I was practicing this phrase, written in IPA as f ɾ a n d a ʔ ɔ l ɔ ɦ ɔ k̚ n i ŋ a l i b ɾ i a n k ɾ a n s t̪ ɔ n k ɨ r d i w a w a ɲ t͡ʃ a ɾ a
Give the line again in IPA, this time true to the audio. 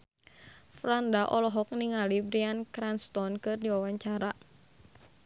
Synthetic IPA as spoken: f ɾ a n d a ʔ ɔ l ɔ ɦ ɔ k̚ n i ŋ a l i b ɾ i a n k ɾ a n s t̪ ɔ n k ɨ r d i w a w a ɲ t͡ʃ a ɾ a